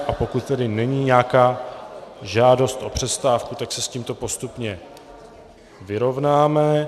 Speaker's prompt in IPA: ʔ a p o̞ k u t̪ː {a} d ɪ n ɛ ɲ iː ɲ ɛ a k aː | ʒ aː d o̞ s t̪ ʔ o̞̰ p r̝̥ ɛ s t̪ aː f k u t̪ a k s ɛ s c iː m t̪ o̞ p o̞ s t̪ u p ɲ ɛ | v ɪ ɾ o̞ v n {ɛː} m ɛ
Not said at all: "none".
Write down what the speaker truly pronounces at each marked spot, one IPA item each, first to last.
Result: ɛ, aː

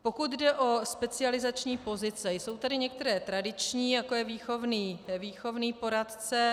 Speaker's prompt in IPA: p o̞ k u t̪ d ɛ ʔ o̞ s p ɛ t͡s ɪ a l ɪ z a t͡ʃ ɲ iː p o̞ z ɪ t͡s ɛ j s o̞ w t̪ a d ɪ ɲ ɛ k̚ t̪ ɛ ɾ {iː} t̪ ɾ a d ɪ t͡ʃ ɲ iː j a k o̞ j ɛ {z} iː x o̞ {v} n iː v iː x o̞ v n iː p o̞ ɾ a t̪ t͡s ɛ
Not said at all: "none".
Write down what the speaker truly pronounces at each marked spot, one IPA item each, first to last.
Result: ɛː, v, v

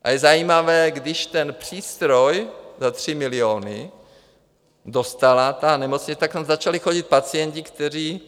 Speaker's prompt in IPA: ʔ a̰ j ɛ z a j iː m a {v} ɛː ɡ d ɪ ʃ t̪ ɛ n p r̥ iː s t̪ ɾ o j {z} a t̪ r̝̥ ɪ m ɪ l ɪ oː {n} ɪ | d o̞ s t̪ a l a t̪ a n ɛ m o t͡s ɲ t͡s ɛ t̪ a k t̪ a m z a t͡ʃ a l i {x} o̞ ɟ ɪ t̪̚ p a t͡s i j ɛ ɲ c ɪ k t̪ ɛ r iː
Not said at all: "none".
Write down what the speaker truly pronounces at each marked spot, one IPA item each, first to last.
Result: v, z, n, x

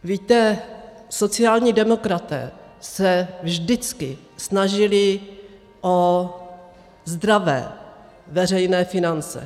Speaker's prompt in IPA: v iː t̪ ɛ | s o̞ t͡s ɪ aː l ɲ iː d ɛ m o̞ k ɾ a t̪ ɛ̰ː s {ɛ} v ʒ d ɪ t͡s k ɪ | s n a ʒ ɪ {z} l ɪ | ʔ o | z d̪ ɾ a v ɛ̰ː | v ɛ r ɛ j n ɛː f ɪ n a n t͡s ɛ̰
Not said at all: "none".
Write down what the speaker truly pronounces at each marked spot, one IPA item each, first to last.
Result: ɛ, none

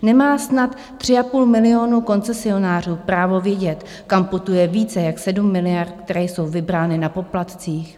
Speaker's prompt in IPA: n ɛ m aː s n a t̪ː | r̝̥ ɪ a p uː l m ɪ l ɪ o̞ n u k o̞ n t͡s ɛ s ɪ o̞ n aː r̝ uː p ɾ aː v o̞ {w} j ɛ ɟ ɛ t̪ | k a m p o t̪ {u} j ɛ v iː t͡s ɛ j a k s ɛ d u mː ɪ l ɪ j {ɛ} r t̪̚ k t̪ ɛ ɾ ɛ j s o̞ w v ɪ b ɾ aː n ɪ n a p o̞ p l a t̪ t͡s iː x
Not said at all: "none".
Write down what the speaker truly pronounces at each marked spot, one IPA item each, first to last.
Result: v, u, a

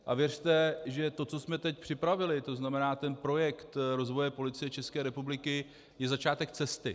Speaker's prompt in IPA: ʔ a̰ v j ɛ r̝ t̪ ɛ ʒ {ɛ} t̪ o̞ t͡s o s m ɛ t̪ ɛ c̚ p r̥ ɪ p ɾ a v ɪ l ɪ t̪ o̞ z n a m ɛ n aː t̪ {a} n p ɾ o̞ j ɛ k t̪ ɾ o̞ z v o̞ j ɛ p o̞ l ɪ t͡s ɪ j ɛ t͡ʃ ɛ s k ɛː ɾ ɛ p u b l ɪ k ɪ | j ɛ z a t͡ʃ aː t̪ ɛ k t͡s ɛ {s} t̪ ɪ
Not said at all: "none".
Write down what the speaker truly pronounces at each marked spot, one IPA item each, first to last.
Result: ɛ, ɛ, s

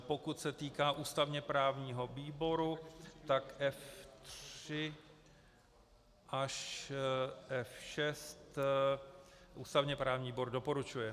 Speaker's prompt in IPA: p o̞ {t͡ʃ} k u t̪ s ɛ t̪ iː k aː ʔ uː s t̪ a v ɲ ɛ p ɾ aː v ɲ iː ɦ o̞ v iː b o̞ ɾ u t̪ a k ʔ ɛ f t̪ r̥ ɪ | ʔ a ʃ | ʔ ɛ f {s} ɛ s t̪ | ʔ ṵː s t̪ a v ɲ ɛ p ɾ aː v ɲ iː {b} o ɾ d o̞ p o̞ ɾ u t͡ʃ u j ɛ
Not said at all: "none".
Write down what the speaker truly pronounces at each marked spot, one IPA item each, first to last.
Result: none, ʃ, b

